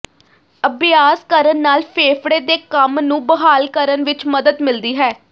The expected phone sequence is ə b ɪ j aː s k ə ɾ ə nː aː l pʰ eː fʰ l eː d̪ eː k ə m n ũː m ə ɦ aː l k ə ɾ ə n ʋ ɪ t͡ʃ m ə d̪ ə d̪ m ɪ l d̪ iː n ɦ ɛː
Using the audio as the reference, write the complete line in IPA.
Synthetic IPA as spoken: ə b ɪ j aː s k ə ɾ ə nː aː l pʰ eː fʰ ɽ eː d̪ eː k ə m n ũː b ə ɦ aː l k ə ɾ ə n ʋ ɪ t͡ʃ m ə d̪ ə d̪ m ɪ l d̪ iː ɦ ɛː